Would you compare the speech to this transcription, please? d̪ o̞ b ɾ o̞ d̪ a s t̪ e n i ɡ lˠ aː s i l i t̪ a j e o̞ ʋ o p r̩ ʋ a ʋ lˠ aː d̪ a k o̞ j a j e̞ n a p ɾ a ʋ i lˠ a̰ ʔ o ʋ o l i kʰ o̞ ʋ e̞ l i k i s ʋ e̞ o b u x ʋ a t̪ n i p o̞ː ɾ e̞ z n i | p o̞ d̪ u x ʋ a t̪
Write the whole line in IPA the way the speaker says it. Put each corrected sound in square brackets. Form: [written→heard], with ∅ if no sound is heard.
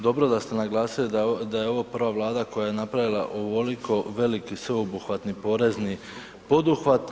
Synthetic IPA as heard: d̪ o̞ b ɾ o̞ d̪ a s t̪ e n [i→a] ɡ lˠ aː s i l i [t̪→d̪] a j e o̞ ʋ o p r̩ ʋ a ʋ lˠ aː d̪ a k o̞ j a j e̞ n a p ɾ a ʋ i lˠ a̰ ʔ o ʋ o l i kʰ o̞ ʋ e̞ l i k i s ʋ e̞ o b u x ʋ a t̪ n i p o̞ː ɾ e̞ z n i | p o̞ d̪ u x ʋ a t̪